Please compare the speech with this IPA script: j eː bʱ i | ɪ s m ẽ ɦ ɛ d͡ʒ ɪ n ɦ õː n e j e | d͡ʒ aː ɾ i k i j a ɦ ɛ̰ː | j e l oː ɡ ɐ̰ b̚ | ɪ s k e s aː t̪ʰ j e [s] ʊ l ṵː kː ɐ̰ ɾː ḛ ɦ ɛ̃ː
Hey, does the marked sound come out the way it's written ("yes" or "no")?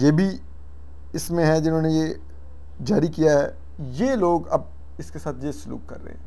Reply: yes